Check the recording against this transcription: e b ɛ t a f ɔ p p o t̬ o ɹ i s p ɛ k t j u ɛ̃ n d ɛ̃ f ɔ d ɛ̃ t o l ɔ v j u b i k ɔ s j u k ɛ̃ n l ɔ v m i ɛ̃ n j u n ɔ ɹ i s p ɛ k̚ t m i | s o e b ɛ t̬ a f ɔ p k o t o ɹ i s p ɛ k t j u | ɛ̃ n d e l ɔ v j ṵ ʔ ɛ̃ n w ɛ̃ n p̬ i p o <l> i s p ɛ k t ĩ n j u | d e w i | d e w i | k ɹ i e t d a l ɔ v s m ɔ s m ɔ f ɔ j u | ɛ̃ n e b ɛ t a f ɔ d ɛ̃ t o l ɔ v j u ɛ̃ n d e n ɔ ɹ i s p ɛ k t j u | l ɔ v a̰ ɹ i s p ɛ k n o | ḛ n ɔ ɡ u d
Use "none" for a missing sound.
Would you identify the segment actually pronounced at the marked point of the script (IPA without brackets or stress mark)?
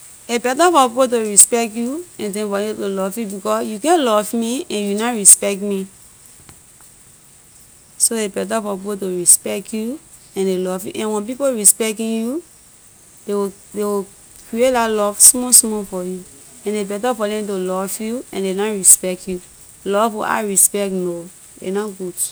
ɹ